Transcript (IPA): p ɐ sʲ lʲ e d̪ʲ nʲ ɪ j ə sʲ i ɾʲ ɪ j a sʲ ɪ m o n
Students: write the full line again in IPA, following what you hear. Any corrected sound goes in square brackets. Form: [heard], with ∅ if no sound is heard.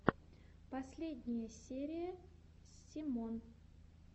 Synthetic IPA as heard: p ɐ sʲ lʲ e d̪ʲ nʲ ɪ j ə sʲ [e] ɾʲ ɪ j [ə] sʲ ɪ m o n